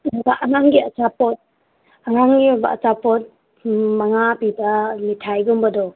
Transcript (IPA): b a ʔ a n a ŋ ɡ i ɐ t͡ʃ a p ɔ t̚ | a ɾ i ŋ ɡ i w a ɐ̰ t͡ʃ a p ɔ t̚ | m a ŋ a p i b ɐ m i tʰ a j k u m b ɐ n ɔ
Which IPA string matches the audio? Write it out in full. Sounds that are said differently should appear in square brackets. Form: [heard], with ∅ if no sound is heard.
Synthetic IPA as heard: b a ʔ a n a ŋ ɡ i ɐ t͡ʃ a p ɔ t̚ | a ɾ [a] ŋ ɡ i [b] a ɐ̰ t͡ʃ a p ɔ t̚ | m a ŋ a p i b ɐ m i tʰ a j [ɡ] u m b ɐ [d] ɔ